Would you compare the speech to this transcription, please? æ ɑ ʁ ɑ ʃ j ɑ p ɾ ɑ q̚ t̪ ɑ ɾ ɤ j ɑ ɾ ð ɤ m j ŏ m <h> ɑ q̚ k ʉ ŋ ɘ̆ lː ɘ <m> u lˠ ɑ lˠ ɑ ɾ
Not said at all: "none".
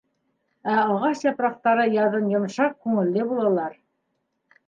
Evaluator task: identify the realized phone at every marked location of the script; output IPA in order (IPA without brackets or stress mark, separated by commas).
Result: ʃ, b